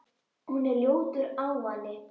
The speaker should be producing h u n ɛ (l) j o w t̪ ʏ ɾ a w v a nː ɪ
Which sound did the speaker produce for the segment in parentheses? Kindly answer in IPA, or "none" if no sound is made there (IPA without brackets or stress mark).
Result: l